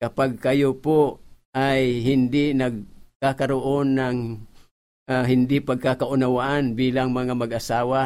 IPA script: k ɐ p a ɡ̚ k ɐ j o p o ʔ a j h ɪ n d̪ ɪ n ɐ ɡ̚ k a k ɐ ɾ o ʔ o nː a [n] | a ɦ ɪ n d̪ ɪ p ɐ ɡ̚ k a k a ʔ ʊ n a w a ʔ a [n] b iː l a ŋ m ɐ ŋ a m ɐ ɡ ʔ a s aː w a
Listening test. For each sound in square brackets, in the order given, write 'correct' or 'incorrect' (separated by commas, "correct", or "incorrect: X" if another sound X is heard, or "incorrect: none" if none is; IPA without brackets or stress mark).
incorrect: ŋ, correct